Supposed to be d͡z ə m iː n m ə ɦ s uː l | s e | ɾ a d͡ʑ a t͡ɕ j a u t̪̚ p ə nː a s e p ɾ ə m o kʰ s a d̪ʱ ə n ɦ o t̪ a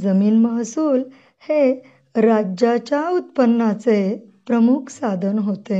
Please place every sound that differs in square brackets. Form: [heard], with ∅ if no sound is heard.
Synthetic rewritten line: d͡z ə m iː n m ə ɦ s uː l | [h] e | ɾ a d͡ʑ a t͡ɕ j a u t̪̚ p ə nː a [t͡s] e p ɾ ə m [u] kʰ s a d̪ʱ ə n ɦ o t̪ [e]